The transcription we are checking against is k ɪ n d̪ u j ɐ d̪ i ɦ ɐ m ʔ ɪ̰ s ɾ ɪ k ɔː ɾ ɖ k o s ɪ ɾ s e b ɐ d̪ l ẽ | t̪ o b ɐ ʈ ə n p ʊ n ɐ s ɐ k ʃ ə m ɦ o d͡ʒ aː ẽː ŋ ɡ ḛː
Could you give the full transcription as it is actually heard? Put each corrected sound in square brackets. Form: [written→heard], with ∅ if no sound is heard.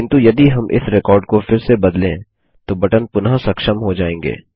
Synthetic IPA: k ɪ n [d̪→t̪] u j ɐ d̪ i ɦ ɐ m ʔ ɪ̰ s ɾ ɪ k ɔː ɾ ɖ k o [s→f] ɪ ɾ s e b ɐ d̪ l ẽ | t̪ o b ɐ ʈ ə n p ʊ n [ɐ→a] s ɐ k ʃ ə m ɦ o d͡ʒ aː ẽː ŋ ɡ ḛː